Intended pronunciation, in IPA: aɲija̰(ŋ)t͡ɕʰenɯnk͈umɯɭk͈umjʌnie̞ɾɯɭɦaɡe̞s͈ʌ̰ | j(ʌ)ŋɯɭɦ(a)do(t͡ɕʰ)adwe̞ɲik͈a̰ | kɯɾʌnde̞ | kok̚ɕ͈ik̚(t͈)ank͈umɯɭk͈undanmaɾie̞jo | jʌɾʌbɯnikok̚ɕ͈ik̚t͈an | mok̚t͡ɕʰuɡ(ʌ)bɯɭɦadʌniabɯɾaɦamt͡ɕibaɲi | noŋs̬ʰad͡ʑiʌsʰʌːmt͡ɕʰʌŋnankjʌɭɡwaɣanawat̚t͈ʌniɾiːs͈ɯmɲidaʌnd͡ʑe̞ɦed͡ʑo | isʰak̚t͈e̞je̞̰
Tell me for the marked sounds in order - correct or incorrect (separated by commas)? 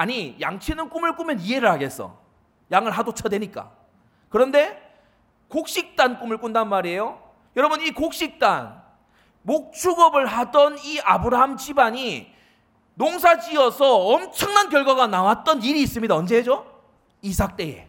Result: correct, incorrect, correct, correct, correct, correct